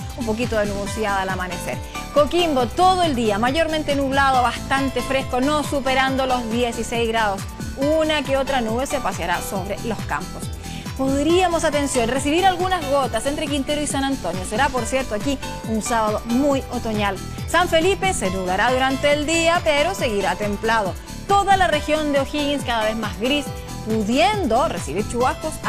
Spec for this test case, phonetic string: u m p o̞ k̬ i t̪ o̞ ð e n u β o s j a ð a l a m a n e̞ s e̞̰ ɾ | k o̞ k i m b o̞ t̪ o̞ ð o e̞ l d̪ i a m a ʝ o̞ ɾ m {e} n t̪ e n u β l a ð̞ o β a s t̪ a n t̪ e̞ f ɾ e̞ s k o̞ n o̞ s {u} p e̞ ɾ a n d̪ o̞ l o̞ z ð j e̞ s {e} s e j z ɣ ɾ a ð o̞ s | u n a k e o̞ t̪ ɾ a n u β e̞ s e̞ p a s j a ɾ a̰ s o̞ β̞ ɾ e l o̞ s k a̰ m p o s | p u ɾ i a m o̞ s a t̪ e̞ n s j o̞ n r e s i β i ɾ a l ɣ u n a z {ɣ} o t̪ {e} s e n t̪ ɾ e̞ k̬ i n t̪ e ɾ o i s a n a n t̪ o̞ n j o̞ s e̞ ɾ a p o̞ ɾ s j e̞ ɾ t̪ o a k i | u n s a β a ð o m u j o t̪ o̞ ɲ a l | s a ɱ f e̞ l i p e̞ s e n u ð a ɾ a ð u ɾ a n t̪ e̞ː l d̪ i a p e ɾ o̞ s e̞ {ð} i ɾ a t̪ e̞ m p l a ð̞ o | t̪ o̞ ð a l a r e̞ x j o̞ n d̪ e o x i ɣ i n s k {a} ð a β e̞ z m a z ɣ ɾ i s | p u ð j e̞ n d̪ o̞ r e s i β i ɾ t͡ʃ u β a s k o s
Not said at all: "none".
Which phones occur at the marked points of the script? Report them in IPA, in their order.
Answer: ẽ, u, i, ɣ, a, ɣ, a

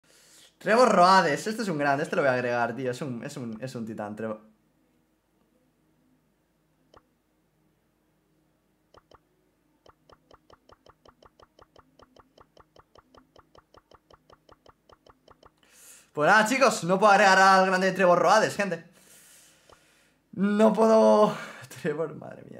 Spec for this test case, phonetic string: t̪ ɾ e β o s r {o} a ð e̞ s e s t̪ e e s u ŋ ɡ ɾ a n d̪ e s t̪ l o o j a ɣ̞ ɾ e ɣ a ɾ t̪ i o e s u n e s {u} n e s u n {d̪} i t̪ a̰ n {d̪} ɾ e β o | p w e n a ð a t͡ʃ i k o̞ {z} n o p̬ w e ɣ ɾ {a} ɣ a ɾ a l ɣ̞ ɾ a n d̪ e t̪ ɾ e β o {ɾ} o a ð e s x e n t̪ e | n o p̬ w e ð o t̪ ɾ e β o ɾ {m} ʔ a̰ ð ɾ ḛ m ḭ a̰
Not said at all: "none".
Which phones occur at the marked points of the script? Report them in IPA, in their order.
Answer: o, u, t̪, t̪, s, e, r, m

